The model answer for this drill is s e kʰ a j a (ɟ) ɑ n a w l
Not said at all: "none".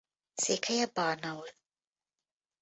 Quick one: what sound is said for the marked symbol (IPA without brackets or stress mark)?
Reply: b